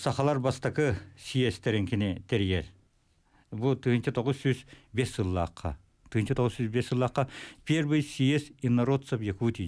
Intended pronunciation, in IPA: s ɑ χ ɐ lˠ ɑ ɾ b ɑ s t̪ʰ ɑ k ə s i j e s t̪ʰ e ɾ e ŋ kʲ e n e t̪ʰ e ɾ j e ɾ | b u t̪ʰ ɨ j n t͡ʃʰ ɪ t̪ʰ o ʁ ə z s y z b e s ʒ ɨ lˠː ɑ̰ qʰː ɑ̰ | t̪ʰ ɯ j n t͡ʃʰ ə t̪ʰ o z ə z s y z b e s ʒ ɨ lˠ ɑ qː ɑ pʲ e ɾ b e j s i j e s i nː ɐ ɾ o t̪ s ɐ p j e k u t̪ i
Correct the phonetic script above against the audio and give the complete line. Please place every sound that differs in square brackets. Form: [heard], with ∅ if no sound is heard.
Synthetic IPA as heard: s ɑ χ [ɑ] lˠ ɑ ɾ b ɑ s [t̪] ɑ k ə s i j e s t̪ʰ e ɾ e ŋ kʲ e n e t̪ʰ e ɾ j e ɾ | b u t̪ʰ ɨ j n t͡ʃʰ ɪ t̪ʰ o ʁ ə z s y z b e s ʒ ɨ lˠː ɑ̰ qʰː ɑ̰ | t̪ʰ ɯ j n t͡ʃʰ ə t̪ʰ o [ʁ] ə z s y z b e s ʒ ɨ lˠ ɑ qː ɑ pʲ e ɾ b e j s i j e s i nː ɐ ɾ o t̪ s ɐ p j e k u t̪ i

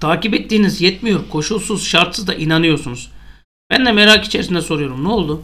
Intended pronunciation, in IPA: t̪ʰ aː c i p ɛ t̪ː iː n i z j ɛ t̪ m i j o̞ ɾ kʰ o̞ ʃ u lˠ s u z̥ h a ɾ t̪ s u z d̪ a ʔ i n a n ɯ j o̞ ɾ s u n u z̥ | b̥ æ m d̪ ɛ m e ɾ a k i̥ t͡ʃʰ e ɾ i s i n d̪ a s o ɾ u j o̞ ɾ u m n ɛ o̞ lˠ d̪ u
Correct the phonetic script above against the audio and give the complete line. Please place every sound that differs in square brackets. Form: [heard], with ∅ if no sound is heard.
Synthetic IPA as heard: t̪ʰ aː c i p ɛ t̪ː iː n i z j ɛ t̪ m i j o̞ ɾ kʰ o̞ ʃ u lˠ s u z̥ [ʃ] a ɾ t̪ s [ɯ] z d̪ a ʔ i n a n ɯ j o̞ ɾ s u n u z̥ | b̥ æ [n] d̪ ɛ m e ɾ a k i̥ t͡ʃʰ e ɾ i s i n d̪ [ɛ] s o ɾ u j o̞ ɾ u m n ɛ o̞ lˠ d̪ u

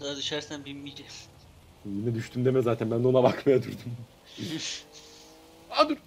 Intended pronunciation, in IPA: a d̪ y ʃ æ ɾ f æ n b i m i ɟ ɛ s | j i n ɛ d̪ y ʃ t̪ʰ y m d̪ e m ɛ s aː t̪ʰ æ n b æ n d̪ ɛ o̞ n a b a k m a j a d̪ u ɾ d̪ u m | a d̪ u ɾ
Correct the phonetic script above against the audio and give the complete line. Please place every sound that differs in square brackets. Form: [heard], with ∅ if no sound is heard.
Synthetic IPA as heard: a d̪ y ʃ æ ɾ [s] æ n b i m i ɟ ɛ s | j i n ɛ d̪ y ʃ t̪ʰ y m d̪ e m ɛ [z] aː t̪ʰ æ n b æ n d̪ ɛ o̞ n a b a k m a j a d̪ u ɾ d̪ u m | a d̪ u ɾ

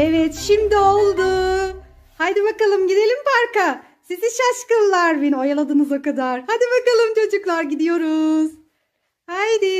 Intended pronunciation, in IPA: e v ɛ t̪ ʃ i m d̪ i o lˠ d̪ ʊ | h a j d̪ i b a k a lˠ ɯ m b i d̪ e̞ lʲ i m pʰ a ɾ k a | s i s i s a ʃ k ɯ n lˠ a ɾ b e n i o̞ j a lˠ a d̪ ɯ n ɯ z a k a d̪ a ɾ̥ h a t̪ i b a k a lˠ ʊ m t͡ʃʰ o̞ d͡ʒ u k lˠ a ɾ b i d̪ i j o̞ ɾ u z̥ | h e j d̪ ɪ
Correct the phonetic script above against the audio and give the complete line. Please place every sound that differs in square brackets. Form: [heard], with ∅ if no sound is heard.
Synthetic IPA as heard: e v ɛ t̪ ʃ i m d̪ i o lˠ d̪ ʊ | h a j d̪ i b a k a lˠ ɯ m [ɟ] i d̪ e̞ lʲ i m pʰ a ɾ k a | s i [z] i [ʃ] a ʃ k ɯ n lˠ a ɾ b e n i o̞ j a lˠ a d̪ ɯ n ɯ z a k a d̪ a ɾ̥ h a [d̪] i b a k a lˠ [ɯ] m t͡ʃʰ o̞ d͡ʒ u k lˠ a ɾ [ɟ] i d̪ i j o̞ ɾ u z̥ | h [a] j d̪ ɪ

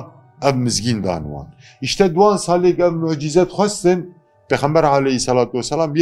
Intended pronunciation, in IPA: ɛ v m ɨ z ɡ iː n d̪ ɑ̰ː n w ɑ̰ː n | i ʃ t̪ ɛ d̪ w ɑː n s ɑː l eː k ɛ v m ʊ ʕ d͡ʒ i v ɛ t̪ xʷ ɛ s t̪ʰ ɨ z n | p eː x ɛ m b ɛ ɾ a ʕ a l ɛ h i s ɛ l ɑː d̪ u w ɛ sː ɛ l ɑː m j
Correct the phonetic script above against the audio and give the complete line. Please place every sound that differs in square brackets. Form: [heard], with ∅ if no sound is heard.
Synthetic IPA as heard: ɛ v m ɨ z ɡ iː n d̪ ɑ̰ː n w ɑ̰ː n | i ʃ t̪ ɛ d̪ w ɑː n s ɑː l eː k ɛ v m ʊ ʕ d͡ʒ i [z] ɛ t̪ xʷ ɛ s [t̪] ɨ [∅] n | p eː x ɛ m b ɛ ɾ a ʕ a l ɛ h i s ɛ l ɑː [t̪] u w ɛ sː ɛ l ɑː m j

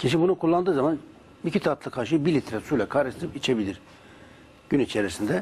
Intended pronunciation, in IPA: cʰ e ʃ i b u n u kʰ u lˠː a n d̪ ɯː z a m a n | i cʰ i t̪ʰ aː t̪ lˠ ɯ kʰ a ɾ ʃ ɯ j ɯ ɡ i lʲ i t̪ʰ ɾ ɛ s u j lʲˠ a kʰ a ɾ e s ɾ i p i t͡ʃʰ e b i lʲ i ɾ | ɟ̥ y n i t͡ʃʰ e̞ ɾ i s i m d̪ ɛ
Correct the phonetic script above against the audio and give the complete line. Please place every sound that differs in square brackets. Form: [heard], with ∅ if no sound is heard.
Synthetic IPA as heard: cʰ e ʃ i b u n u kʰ u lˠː a n d̪ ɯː z a m a n | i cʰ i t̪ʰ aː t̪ lˠ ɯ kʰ a ɾ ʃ ɯ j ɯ [b] i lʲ i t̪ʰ ɾ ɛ s u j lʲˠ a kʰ a ɾ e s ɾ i p i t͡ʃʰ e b i lʲ i ɾ | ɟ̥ y n i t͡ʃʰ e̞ ɾ i s i [n] d̪ ɛ

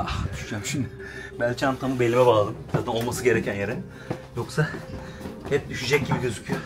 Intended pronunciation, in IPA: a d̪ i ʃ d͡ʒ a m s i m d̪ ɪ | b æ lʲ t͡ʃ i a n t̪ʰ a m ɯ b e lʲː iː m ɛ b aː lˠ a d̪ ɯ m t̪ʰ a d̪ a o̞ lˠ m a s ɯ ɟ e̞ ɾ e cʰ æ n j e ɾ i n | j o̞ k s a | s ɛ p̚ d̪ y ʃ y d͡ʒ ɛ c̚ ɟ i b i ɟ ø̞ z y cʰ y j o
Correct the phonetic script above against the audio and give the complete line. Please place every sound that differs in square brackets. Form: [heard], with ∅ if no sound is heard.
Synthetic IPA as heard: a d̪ [y] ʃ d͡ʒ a m [ʃ] i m d̪ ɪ | b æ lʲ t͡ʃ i a n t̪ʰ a m ɯ b e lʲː [i] m ɛ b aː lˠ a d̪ ɯ m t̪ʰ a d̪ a o̞ lˠ m a s ɯ ɟ e̞ ɾ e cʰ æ n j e ɾ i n | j o̞ k s a | [h] ɛ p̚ d̪ y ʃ y d͡ʒ ɛ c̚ ɟ i b i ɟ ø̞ z y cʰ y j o

